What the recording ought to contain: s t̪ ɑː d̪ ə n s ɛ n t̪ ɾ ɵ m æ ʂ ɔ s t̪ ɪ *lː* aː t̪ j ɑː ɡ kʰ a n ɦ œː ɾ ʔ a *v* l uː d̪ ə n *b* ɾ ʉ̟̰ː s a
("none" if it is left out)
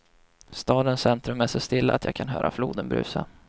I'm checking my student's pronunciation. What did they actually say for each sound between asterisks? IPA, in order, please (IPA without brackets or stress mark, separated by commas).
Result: lː, f, b